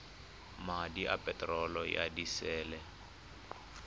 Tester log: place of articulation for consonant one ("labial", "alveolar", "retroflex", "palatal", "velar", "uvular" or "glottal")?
labial